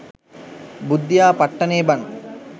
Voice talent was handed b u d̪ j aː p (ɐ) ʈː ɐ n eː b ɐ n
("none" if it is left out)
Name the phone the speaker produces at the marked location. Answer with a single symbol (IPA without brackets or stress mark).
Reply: ɐ